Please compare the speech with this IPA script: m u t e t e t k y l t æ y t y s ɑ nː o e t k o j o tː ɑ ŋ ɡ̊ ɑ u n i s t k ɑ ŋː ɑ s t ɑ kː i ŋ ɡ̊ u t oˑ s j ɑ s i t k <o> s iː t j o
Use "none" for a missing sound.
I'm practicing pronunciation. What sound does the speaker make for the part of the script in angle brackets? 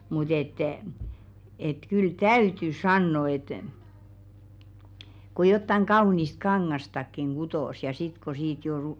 o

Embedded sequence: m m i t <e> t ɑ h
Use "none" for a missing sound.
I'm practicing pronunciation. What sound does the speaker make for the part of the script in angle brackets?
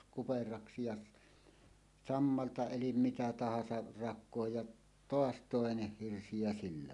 æ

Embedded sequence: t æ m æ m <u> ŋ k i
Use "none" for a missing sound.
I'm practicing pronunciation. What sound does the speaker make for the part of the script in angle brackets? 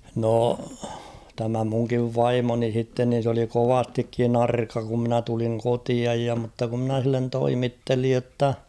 u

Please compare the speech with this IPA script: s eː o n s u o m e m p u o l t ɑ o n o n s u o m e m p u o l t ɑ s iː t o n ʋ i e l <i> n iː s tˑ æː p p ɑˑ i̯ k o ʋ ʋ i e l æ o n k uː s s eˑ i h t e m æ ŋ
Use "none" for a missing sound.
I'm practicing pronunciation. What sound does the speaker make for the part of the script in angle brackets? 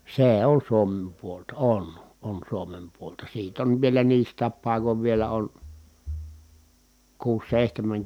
æ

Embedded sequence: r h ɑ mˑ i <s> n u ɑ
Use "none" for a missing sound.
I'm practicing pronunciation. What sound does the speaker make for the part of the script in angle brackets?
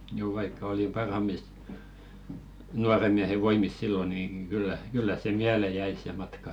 s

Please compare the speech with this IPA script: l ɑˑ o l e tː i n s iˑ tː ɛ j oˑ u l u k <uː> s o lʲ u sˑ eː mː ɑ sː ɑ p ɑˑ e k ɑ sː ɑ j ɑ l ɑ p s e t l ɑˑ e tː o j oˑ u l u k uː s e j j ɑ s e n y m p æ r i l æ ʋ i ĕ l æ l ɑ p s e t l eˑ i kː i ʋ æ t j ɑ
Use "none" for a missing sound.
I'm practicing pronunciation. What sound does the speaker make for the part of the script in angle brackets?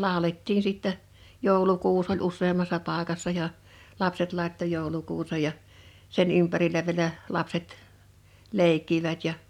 uː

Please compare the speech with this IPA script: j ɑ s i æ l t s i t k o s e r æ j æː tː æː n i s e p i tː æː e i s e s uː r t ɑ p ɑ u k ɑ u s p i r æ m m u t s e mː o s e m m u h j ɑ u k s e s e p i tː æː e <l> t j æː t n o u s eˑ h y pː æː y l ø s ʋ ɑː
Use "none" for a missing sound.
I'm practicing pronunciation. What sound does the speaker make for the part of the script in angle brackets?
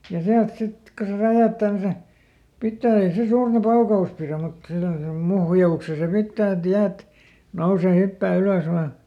none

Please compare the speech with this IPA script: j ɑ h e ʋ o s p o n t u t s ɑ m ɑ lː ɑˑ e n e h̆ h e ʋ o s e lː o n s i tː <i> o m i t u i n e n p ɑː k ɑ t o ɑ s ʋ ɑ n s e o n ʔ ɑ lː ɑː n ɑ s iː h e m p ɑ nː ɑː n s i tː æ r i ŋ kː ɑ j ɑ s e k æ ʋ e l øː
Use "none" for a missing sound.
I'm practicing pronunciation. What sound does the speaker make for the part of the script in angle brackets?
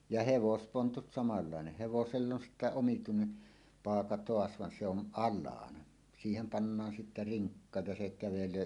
æ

